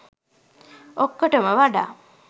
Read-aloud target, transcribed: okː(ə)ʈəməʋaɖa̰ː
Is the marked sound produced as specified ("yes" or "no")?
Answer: yes